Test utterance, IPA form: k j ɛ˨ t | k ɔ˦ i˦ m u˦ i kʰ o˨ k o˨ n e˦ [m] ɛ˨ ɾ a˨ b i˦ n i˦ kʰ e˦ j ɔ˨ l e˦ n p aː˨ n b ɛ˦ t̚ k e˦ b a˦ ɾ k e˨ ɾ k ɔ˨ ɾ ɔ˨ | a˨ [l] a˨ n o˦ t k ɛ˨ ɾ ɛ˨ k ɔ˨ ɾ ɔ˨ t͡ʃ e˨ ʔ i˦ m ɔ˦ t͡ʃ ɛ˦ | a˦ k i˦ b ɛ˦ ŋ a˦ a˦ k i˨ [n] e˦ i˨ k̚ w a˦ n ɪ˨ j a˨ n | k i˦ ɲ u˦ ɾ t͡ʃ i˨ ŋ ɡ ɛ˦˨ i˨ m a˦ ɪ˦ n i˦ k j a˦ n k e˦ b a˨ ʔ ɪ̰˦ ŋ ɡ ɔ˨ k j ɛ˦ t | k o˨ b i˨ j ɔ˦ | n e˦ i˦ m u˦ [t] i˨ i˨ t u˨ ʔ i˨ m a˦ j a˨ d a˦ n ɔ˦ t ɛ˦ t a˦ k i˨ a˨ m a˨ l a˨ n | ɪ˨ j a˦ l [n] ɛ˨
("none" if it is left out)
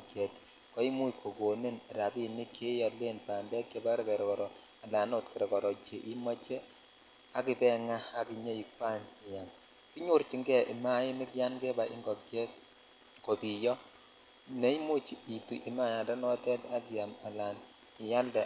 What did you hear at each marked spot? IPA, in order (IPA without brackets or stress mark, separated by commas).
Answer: n, l, ɲ, t͡ʃ, d